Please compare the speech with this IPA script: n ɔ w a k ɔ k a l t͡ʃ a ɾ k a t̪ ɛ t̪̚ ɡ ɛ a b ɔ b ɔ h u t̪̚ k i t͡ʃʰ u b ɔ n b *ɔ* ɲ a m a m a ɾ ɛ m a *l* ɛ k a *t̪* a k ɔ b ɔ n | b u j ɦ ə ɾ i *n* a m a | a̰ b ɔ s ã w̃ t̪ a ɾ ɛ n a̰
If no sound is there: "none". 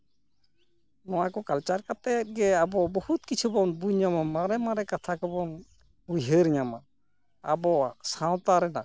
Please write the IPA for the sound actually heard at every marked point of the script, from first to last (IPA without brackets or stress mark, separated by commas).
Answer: u, ɾ, t̪ʰ, ɲ